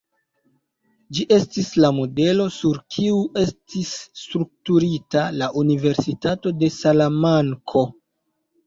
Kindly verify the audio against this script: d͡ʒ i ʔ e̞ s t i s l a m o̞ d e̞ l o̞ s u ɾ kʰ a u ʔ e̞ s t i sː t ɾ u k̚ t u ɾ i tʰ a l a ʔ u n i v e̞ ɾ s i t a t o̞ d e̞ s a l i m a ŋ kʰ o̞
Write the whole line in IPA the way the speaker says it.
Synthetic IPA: d͡ʒ i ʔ e̞ s t i s l a m o̞ d e̞ l o̞ s u ɾ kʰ i u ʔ e̞ s t i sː t ɾ u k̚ t u ɾ i t a l a ʔ u n i v e̞ ɾ s i t a t o̞ d e̞ s a l a m a ŋ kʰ o̞